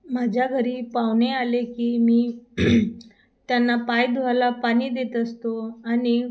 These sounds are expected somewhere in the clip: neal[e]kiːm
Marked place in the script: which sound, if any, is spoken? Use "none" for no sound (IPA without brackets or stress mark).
e